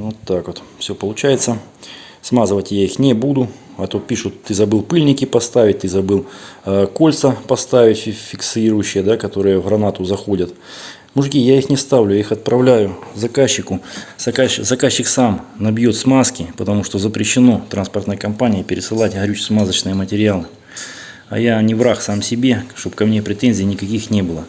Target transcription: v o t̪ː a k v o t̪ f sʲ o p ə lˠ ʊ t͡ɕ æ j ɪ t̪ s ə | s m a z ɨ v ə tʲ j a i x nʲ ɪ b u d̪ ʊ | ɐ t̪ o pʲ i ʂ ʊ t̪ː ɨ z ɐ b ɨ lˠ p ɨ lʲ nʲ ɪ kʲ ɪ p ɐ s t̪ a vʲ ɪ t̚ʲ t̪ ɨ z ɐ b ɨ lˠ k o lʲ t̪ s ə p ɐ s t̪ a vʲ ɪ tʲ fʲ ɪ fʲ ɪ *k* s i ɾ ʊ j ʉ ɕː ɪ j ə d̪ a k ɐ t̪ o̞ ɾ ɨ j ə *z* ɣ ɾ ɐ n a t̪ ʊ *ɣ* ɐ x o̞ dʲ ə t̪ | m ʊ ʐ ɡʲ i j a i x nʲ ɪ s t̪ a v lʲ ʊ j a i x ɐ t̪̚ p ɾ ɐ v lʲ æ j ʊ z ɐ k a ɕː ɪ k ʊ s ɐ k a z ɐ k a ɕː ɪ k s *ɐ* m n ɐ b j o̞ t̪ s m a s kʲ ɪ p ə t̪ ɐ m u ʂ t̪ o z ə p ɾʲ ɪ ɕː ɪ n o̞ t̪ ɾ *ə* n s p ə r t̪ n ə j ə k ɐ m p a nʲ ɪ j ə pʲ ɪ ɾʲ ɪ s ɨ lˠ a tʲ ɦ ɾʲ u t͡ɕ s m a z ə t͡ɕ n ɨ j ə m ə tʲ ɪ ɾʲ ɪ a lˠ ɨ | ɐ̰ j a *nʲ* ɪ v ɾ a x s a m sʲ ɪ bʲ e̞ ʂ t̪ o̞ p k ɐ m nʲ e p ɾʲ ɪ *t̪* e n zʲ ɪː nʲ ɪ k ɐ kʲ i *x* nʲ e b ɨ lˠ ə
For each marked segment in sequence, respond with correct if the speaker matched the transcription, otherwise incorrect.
correct, incorrect: v, incorrect: z, incorrect: a, incorrect: a, correct, correct, correct

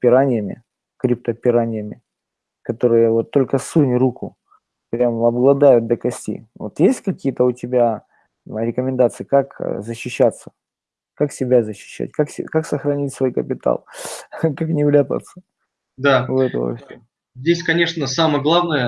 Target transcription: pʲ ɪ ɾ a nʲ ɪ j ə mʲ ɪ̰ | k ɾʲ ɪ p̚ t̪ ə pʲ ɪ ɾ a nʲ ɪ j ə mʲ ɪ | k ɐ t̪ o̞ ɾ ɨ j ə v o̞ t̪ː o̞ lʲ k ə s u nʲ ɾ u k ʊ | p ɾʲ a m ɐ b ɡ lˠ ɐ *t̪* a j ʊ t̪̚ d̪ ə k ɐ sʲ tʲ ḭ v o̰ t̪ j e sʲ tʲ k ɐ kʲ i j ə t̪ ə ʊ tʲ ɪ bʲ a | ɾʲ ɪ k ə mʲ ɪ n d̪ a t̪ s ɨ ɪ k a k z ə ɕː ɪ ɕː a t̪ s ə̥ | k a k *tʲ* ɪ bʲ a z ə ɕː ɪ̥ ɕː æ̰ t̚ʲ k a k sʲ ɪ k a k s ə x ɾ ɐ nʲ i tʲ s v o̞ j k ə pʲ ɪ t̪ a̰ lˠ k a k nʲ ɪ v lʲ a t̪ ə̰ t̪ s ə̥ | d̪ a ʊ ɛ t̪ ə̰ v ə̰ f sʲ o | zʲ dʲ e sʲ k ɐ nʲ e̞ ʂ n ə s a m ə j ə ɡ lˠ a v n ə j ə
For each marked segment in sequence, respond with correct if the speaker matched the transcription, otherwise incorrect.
incorrect: d̪, incorrect: sʲ

